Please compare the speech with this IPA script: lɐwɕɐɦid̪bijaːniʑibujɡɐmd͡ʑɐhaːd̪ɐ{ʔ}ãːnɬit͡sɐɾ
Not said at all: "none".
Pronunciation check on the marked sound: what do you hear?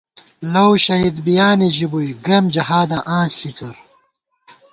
ʔ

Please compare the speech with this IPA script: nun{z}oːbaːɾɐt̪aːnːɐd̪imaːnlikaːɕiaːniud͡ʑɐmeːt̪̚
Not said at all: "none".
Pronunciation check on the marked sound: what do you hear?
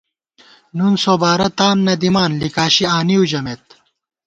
s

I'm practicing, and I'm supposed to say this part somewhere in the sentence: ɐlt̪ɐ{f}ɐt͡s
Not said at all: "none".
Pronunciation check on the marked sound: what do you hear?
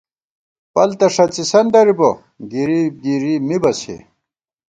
ʂ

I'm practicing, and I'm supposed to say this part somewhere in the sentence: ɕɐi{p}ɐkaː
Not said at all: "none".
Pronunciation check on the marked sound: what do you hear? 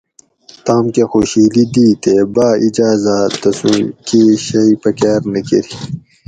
p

